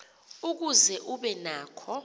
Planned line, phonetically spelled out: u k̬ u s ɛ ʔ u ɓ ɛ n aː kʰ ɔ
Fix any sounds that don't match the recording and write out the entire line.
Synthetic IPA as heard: u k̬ u z ɛ ʔ u ɓ ɛ n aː kʰ ɔ

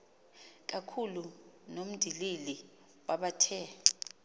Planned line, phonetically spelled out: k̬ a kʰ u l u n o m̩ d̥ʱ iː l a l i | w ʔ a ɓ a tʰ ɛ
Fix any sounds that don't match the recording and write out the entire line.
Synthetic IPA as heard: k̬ a kʰ u l u n o m̩ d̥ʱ i l i l i | w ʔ a ɓ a tʰ ɛ

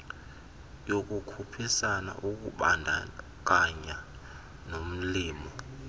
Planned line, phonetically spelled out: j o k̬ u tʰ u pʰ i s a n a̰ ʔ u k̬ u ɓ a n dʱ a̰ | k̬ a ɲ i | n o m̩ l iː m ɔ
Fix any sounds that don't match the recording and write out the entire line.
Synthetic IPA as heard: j o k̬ u kʰ u pʰ i s a n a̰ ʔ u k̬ u ɓ a n dʱ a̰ | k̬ a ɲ a | n o m̩ l iː m ɔ

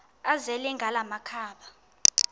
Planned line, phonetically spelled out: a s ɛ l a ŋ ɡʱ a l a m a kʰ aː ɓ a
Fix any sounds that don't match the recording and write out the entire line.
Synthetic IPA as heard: a z ɛ l ɛ ŋ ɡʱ a l a m a kʰ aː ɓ a

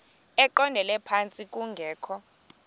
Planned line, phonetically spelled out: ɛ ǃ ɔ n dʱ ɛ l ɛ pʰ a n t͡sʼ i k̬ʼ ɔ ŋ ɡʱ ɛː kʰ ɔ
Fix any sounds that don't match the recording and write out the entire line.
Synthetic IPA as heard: ɛ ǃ ɔ n dʱ ɛ l ɛ pʰ a n t͡sʼ i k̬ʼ u ŋ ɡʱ ɛː kʰ ɔ

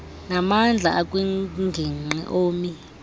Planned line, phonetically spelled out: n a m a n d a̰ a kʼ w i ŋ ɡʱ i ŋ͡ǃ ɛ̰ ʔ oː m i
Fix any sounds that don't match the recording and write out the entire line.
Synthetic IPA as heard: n a m a n d͡ɮʱ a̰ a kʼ w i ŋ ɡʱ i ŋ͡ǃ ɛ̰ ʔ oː m i

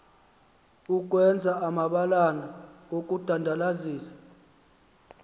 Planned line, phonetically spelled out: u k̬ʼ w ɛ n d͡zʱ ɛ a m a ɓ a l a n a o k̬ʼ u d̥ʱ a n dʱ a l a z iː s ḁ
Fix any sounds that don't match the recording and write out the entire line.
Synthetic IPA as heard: u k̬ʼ w ɛ n d͡zʱ a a m a ɓ a l a n a o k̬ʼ u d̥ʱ a n dʱ a l a z iː s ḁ

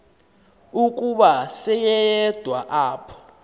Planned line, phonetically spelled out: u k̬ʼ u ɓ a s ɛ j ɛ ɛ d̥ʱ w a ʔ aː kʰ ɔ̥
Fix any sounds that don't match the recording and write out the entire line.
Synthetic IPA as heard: u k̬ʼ u ɓ a s ɛ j ɛ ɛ d̥ʱ w a ʔ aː pʰ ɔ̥

